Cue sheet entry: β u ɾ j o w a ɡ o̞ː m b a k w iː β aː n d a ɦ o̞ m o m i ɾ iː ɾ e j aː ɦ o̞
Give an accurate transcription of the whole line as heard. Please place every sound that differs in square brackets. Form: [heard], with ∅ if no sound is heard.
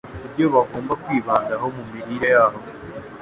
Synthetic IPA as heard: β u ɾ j o [β] a ɡ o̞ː m b a k w iː β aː n d a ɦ o̞ m [u] m i ɾ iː ɾ e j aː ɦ o̞